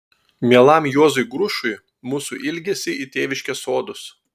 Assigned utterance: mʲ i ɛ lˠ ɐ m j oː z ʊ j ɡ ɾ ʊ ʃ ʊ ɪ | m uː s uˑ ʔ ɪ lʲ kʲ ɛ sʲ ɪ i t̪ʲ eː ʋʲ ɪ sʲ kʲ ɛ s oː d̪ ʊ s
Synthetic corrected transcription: mʲ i ɛ lˠ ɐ m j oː z ʊ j ɡ ɾ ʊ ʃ ʊ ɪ | m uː s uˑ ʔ ɪ lʲ ɡʲ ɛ sʲ ɪ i t̪ʲ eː ʋʲ ɪ ʃʲ kʲ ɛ s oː d̪ ʊ s

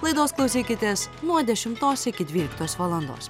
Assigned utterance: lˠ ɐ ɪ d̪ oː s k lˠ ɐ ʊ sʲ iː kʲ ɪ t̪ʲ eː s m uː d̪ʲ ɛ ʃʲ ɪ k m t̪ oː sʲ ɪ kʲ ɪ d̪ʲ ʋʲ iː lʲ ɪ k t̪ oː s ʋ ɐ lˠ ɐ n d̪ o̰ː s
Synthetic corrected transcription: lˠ ɐ ɪ d̪ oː s k lˠ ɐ ʊ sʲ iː kʲ ɪ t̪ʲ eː s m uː d̪ʲ ɛ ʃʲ ɪ m t̪ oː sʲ ɪ kʲ ɪ d̪ʲ ʋʲ iː lʲ ɪ k t̪ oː s ʋ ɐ lˠ ɐ n d̪ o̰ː s

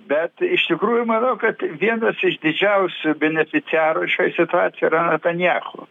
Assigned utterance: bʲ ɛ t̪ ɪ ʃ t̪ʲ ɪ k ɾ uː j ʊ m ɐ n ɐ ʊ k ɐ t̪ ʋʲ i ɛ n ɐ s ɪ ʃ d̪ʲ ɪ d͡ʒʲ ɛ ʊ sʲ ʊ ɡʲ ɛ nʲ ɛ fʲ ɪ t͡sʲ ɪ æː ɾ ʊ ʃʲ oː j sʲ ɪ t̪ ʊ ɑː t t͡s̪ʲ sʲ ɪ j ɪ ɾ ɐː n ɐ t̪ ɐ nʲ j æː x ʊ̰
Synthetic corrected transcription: bʲ ɛ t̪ ɪ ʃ t̪ʲ ɪ k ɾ uː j ʊ m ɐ n ɐ ʊ k ɐ t̪ ʋʲ i ɛ n ɐ s ɪ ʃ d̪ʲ ɪ d͡ʒʲ ɛ ʊ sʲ ʊ bʲ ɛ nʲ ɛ fʲ ɪ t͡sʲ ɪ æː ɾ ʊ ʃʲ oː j sʲ ɪ t̪ ʊ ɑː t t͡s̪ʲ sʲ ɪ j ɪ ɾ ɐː n ɐ t̪ ɐ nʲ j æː x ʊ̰

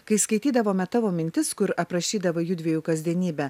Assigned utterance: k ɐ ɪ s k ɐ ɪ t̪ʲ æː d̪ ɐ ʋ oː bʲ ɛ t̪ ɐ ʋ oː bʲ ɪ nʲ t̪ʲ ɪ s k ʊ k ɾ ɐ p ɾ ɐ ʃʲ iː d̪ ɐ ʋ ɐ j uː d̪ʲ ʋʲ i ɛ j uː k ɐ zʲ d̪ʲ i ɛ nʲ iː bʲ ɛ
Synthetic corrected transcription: k ɐ ɪ s k ɐ ɪ t̪ʲ iː d̪ ɐ ʋ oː mʲ ɛ t̪ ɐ ʋ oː mʲ ɪ nʲ t̪ʲ ɪ s k ʊ ɾ ɐ p ɾ ɐ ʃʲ iː d̪ ɐ ʋ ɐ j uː d̪ʲ ʋʲ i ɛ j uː k ɐ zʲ d̪ʲ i ɛ nʲ iː bʲ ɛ

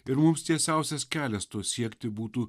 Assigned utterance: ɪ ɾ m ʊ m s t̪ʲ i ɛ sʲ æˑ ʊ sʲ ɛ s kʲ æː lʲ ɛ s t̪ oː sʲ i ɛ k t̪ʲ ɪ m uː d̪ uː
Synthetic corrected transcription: ɪ ɾ m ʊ m s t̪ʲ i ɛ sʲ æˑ ʊ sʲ ɛ s kʲ æː lʲ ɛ s t̪ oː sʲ i ɛ k t̪ʲ ɪ b uː t̪ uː

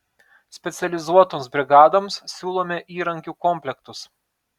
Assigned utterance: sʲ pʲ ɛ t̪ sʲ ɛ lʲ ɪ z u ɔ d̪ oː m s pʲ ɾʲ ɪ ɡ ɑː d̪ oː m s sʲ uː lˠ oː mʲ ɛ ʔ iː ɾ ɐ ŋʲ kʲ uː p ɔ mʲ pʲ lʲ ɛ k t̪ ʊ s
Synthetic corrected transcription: sʲ pʲ ɛ t̪ sʲ ɛ lʲ ɪ z u ɔ t̪ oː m s bʲ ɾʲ ɪ ɡ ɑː d̪ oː m s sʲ uː lˠ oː mʲ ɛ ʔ iː ɾ ɐ ŋʲ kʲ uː k ɔ mʲ pʲ lʲ ɛ k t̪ ʊ s

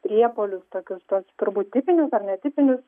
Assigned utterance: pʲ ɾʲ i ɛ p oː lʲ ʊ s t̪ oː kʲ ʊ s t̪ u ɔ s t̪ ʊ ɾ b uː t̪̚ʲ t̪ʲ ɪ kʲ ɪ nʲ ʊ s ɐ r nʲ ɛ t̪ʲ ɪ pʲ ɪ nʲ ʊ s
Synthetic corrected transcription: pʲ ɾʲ i ɛ p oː lʲ ʊ s t̪ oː kʲ ʊ s t̪ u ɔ s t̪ ʊ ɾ b uː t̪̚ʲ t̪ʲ ɪ pʲ ɪ nʲ ʊ s ɐ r nʲ ɛ t̪ʲ ɪ pʲ ɪ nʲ ʊ s

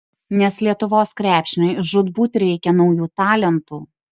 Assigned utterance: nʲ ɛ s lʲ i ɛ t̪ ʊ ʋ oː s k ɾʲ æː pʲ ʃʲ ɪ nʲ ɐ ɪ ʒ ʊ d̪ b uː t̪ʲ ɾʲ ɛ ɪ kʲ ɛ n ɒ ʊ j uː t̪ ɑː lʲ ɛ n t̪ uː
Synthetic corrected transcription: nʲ ɛ s lʲ i ɛ t̪ ʊ ʋ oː s k ɾʲ æː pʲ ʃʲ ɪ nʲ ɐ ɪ ʒ ʊ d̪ b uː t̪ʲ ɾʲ ɛ ɪ kʲ ɛ n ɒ ʊ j uː t̪ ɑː lʲ ɛ n t̪ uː

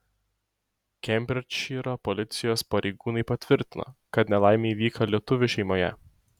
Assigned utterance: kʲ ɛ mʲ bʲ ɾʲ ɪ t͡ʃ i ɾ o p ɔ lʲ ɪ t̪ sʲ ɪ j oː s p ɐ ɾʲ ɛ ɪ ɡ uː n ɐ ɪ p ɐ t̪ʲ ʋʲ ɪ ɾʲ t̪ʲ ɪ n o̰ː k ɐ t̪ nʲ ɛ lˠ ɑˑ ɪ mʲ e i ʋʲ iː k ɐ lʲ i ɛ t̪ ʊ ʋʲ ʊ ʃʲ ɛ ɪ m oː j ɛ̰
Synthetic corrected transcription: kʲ ɛ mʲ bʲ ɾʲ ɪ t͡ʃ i ɾ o p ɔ lʲ ɪ t̪ sʲ ɪ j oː s p ɐ ɾʲ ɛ ɪ ɡ uː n ɐ ɪ p ɐ t̪ʲ ʋʲ ɪ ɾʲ t̪ʲ ɪ n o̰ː k ɐ t̪ nʲ ɛ lˠ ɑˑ ɪ mʲ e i ʋʲ iː k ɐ lʲ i ɛ t̪ ʊ ʋʲ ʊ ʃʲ ɛ ɪ m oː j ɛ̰

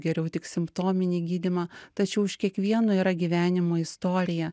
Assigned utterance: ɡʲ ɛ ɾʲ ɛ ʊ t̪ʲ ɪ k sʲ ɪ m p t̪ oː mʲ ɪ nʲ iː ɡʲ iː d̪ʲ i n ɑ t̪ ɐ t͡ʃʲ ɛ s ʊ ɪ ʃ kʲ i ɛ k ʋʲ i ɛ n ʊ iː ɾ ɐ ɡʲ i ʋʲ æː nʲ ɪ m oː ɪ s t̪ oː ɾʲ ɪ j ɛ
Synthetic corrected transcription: ɡʲ ɛ ɾʲ ɛ ʊ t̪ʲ ɪ k sʲ ɪ m p t̪ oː mʲ ɪ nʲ iː ɡʲ iː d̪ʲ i m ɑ t̪ ɐ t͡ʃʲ ɛ ʊ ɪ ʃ kʲ i ɛ k ʋʲ i ɛ n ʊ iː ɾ ɐ ɡʲ i ʋʲ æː nʲ ɪ m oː ɪ s t̪ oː ɾʲ ɪ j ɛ

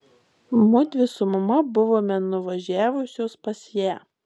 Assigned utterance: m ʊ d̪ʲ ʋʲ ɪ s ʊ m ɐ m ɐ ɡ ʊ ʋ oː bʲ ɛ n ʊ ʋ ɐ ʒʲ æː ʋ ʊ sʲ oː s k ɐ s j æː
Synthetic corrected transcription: m ʊ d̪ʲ ʋʲ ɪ s ʊ m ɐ m ɐ b ʊ ʋ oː mʲ ɛ n ʊ ʋ ɐ ʒʲ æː ʋ ʊ sʲ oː s p ɐ s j æː

